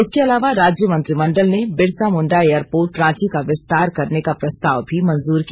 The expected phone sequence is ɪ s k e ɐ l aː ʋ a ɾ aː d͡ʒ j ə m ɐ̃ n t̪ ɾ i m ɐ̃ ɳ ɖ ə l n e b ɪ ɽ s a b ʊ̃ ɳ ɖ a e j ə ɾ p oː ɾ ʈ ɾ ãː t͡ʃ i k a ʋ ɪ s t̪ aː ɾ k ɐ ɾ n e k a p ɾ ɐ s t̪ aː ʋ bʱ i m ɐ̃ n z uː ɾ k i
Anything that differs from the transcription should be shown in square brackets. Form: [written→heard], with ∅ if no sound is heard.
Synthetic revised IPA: ɪ s k e ɐ l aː ʋ a ɾ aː d͡ʒ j ə m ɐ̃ n t̪ ɾ i m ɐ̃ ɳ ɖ ə l n e b ɪ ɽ s a [b→m] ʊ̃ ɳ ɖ a e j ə ɾ p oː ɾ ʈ ɾ ãː t͡ʃ i k a ʋ ɪ s t̪ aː ɾ k ɐ ɾ n e k a p ɾ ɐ s t̪ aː ʋ bʱ i m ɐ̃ n z uː ɾ k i